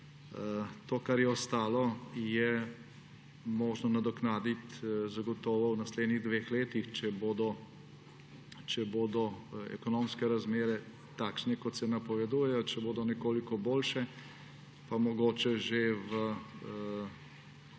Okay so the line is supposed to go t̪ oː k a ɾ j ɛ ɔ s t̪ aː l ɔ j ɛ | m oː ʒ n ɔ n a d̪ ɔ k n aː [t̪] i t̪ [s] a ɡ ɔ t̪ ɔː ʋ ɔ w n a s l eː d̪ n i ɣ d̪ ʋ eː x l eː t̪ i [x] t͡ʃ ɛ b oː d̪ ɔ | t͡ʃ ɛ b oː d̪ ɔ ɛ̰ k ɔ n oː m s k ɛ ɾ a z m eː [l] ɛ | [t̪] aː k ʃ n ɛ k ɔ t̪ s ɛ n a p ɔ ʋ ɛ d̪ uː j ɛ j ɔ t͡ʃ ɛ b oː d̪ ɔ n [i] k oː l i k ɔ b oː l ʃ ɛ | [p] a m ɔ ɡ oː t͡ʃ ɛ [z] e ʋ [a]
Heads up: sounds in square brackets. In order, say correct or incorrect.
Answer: incorrect: d̪, incorrect: z, correct, incorrect: ɾ, correct, incorrect: ɛ, correct, incorrect: ʒ, incorrect: ə

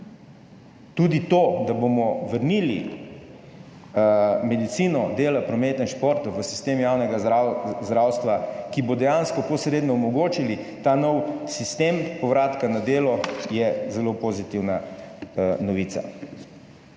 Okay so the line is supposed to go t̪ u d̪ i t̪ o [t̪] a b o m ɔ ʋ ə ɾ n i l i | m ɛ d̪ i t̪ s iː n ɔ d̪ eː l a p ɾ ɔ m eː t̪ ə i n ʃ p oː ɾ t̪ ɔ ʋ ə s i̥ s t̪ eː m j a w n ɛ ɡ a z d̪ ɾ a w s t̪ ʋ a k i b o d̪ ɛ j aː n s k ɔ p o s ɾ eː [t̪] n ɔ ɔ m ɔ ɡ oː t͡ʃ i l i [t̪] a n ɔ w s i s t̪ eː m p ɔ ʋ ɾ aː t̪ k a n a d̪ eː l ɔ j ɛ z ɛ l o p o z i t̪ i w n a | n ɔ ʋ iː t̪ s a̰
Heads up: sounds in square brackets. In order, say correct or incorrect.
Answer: incorrect: d̪, incorrect: d̪, correct

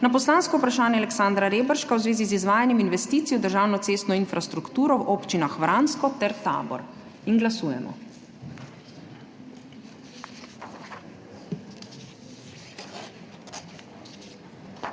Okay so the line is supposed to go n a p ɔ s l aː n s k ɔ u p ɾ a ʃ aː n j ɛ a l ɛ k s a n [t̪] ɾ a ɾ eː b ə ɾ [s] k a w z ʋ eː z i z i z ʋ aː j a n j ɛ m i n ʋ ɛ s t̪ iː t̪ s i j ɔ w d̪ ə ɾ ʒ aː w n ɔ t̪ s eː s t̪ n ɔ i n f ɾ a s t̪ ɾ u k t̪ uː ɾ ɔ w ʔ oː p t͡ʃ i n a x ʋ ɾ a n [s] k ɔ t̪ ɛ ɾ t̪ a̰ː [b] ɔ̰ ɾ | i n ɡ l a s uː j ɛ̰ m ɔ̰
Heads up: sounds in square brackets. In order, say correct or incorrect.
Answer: incorrect: d̪, incorrect: ʃ, correct, correct

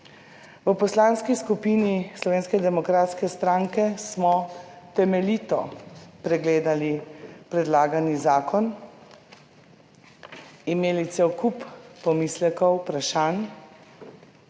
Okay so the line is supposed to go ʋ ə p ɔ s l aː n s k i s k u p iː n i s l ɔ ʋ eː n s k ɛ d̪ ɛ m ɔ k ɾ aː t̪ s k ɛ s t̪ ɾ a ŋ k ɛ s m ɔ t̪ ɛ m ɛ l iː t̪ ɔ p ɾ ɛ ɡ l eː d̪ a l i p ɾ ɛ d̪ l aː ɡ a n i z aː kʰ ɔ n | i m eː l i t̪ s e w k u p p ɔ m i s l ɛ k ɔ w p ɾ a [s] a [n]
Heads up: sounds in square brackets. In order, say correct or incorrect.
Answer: incorrect: ʃ, correct

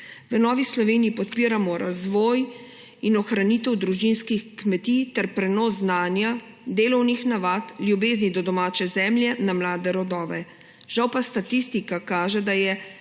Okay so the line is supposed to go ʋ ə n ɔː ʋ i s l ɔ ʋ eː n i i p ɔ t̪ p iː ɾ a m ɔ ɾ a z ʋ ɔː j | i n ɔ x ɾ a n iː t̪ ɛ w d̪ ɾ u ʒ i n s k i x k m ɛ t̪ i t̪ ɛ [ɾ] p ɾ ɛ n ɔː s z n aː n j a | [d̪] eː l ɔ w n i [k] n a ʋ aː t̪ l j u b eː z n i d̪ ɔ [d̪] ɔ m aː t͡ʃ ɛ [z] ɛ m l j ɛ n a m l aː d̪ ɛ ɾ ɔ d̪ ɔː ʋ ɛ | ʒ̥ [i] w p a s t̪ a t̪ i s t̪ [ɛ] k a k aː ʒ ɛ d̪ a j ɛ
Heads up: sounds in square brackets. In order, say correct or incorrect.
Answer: correct, correct, incorrect: x, correct, correct, incorrect: a, incorrect: i

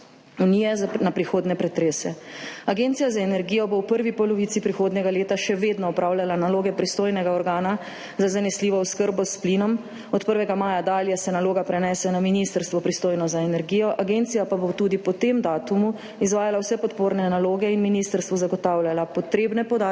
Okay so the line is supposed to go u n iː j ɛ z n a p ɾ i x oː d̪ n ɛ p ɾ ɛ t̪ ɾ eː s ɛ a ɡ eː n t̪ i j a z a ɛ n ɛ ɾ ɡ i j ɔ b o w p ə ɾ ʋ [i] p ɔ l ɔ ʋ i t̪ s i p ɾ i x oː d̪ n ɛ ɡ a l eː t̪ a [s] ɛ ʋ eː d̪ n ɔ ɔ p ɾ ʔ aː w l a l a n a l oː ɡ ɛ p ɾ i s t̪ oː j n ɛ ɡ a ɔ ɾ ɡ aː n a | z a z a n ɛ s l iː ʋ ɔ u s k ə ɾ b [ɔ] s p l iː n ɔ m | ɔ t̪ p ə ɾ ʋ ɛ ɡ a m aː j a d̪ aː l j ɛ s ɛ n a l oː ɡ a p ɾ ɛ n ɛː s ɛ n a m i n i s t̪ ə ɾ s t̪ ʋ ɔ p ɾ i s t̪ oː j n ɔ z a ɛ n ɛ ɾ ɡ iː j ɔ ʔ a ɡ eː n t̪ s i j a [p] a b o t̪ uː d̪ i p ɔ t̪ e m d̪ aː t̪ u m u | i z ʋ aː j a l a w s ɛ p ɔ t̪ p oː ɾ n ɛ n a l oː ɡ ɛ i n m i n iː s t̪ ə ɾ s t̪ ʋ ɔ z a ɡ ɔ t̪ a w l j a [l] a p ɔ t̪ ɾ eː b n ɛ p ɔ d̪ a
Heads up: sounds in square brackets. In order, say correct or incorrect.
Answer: correct, incorrect: ʃ, correct, correct, correct

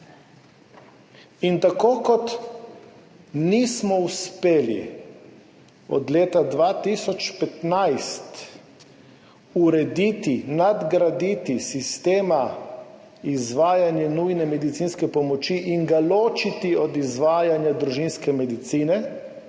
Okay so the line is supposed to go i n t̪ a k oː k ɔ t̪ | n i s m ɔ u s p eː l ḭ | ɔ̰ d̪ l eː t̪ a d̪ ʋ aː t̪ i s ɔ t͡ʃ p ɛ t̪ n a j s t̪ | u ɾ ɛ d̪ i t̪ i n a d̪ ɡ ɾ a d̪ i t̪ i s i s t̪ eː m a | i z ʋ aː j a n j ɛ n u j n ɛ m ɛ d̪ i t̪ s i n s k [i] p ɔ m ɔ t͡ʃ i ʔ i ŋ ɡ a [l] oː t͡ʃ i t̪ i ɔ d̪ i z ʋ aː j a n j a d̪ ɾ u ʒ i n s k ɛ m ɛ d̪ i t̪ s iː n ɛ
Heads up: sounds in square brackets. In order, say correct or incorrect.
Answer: incorrect: ɛ, correct

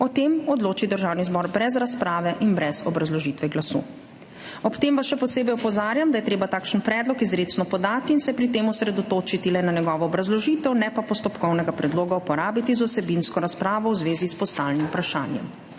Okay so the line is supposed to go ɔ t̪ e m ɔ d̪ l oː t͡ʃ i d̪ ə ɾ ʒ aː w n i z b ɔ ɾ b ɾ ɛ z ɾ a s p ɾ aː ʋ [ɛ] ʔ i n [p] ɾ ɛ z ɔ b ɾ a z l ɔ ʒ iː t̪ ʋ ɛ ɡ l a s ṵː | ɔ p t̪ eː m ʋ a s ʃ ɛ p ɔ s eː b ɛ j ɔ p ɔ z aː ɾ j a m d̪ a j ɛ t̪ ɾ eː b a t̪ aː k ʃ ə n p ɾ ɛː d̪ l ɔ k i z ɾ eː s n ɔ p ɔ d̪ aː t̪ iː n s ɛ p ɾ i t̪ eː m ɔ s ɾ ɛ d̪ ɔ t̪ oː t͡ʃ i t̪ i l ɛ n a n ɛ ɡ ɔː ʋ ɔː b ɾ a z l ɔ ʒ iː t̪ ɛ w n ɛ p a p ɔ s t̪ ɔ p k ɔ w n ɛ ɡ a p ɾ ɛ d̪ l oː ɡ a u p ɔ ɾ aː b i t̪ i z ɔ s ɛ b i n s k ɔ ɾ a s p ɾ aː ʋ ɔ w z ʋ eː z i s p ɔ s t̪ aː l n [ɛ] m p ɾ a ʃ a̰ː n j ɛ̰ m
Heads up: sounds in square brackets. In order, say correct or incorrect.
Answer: correct, incorrect: b, incorrect: i

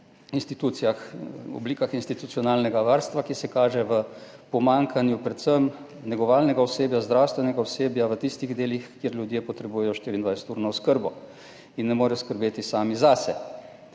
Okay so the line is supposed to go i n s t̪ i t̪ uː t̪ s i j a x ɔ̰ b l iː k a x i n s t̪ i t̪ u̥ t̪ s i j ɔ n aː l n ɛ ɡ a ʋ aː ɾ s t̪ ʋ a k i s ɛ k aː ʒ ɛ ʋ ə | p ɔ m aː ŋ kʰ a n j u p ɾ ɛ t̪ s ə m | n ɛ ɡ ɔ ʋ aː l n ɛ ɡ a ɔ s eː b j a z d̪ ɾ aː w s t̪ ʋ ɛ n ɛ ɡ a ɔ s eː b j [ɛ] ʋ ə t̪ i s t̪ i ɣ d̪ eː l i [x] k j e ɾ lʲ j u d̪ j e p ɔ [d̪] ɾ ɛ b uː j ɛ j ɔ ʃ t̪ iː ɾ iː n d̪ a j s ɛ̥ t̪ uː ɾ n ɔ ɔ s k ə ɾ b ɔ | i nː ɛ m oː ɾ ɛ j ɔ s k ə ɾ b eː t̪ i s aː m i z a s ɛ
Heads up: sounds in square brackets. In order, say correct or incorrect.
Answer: incorrect: a, correct, incorrect: t̪

